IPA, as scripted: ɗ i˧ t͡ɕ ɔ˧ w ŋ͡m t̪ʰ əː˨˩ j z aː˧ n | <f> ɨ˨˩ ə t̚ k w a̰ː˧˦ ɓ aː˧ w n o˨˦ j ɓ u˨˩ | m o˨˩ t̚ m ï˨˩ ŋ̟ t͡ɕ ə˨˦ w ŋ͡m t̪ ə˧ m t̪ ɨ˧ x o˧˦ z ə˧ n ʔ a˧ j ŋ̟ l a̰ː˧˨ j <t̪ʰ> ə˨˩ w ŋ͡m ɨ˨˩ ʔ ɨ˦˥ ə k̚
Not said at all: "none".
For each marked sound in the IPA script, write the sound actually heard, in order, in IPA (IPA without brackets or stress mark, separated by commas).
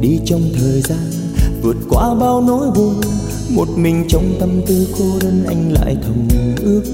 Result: v, t̪ʰ